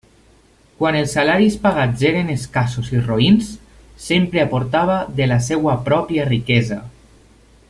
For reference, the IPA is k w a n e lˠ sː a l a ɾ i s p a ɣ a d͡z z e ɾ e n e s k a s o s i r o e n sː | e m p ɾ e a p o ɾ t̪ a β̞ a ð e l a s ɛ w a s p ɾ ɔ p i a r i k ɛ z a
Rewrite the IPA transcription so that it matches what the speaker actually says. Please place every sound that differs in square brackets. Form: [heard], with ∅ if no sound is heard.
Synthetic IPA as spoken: k w a n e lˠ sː a l a ɾ i s p a ɣ a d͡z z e ɾ e n e s k a s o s i r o [i] n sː | e m p ɾ e a p o ɾ t̪ a β̞ a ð e l a s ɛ w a [∅] p ɾ ɔ p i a r i k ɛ z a